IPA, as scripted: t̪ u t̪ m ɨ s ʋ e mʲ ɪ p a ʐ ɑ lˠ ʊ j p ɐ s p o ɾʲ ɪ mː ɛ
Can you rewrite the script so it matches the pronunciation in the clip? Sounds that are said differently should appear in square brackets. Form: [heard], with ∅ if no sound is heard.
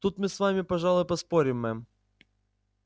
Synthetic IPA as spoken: t̪ u t̪ m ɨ s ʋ [a] mʲ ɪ p [ɐ] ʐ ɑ lˠ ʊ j p ɐ s p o ɾʲ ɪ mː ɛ